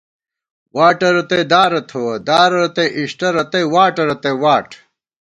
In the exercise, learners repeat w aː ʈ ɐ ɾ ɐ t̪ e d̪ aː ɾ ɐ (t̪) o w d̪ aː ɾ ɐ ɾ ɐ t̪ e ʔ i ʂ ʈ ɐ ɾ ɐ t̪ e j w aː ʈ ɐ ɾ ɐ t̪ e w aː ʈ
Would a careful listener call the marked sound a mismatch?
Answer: yes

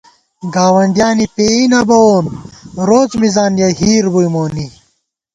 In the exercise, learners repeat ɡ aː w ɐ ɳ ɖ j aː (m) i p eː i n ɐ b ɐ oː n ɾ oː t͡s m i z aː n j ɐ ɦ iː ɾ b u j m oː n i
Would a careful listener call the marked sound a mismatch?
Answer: yes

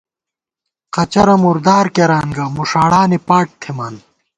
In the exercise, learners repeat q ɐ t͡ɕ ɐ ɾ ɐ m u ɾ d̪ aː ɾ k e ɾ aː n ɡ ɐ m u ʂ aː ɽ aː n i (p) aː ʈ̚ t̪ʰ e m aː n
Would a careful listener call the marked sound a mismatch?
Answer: no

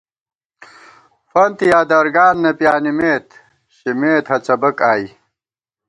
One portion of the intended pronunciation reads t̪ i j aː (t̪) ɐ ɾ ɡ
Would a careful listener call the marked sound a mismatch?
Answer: yes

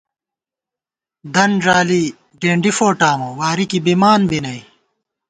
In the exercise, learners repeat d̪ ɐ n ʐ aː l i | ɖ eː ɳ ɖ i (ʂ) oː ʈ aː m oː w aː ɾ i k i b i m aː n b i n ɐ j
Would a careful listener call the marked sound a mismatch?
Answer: yes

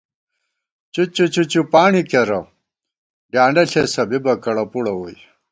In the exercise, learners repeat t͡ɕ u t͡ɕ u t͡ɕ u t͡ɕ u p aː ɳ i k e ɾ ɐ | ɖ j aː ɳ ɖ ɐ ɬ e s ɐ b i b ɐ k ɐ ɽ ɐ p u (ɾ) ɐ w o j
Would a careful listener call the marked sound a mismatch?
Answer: yes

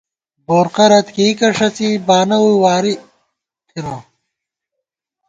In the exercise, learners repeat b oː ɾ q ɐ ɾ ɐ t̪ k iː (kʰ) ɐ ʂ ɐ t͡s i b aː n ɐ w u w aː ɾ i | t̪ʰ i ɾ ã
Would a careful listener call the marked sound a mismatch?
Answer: yes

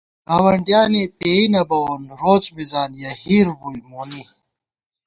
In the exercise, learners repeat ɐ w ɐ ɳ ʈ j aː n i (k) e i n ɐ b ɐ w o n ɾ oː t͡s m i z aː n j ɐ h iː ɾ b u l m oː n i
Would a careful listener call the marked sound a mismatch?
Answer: yes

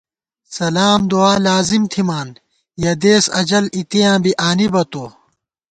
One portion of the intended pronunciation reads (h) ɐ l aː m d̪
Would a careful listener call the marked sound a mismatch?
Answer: yes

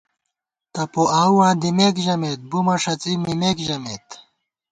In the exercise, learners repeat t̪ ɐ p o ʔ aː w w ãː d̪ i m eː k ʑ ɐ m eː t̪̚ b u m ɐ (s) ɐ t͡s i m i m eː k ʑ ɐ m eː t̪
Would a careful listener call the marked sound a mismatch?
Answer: yes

